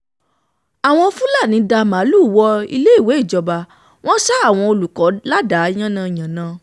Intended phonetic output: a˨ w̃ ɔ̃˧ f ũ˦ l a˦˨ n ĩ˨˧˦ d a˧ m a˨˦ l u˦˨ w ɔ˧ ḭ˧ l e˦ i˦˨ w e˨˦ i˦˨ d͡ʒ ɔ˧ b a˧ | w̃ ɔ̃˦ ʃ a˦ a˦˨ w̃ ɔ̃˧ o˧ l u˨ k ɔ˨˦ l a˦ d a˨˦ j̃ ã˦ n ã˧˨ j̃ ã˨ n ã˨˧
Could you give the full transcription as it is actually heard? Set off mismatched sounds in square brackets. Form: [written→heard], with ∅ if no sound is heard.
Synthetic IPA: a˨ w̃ ɔ̃˧ f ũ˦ l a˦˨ n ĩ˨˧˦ d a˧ m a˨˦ l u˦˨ w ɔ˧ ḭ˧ l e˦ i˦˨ w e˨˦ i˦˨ d͡ʒ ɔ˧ b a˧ | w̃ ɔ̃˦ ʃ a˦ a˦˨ w̃ ɔ̃˧ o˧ l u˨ k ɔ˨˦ l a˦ d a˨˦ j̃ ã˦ n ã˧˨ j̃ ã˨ n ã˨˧